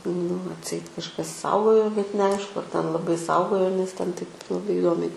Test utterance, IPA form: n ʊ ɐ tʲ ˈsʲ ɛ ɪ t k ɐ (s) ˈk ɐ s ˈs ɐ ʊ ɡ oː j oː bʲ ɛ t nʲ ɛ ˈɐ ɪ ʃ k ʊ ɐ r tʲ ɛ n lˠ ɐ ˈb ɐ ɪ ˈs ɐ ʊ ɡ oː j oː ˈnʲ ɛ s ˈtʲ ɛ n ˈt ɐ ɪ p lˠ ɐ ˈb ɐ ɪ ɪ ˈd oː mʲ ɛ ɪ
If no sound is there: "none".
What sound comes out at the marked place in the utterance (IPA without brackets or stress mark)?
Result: ʃ